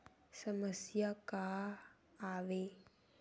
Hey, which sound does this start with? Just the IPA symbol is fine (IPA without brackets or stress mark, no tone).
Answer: s